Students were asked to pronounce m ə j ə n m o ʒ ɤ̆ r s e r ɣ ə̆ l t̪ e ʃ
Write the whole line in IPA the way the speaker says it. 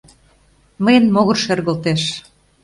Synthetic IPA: m ə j ə n m o ɣ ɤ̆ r ʃ e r ɣ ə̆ l t̪ e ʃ